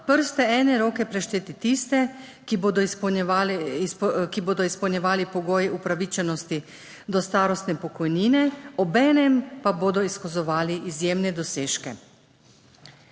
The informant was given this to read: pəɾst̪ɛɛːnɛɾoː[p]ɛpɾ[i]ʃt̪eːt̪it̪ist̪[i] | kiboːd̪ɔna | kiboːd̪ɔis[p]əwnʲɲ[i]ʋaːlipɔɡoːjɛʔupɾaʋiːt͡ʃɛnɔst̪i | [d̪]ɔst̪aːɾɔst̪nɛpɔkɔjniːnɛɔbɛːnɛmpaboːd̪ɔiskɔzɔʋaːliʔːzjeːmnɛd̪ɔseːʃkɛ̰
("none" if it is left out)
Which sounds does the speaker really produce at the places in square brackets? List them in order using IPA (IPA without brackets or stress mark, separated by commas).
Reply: k, ɛ, ɛ, p, ɛ, d̪